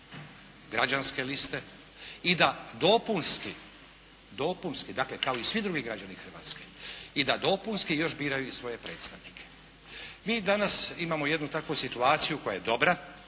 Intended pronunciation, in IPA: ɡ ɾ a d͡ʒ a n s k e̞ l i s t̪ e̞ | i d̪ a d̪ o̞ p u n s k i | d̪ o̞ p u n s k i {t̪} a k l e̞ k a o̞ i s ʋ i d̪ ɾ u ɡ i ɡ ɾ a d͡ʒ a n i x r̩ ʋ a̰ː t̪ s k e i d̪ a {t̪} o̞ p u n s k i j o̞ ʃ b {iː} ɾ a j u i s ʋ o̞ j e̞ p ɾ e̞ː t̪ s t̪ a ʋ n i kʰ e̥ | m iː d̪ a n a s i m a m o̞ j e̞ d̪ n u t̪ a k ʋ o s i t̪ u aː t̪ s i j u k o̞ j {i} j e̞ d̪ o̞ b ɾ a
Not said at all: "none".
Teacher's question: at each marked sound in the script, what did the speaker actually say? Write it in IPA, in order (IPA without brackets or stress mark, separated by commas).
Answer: d̪, d̪, iː, a